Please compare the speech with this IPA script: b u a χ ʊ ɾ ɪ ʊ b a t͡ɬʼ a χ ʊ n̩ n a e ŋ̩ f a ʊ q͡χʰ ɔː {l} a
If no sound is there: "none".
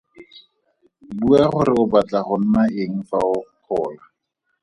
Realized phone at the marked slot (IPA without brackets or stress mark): l